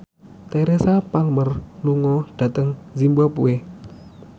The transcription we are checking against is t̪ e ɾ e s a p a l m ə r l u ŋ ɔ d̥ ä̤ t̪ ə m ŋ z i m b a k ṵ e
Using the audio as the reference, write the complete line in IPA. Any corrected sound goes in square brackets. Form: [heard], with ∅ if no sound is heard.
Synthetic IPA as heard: t̪ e ɾ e s a p a l m ə r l u ŋ ɔ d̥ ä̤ t̪ ə [∅] ŋ z i m b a [p] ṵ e